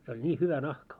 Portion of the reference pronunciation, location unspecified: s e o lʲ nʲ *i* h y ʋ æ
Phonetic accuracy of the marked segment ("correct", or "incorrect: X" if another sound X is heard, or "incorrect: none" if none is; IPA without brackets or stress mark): incorrect: iː